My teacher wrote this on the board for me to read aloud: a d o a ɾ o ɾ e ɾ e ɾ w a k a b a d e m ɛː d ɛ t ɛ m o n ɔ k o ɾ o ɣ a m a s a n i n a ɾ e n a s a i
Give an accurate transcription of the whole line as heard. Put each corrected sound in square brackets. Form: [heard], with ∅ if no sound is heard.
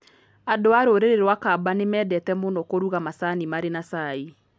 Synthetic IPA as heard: a d o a ɾ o ɾ e ɾ e ɾ w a k a b a [n] e m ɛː d ɛ t ɛ m o n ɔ k o ɾ [u] ɣ a m a s a n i [m] a ɾ e n a s a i